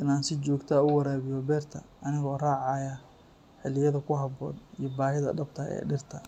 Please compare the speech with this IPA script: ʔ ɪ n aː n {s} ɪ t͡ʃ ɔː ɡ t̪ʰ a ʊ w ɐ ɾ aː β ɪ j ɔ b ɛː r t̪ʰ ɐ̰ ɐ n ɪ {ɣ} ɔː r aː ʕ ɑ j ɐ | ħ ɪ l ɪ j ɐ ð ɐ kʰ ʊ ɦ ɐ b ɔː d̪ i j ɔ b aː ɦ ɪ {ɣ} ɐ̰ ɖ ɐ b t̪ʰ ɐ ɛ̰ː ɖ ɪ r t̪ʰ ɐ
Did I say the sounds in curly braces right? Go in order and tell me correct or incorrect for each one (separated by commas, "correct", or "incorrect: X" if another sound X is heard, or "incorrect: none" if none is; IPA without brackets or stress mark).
correct, correct, incorrect: ð